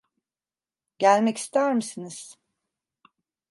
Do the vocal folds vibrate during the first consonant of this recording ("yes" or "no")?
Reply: yes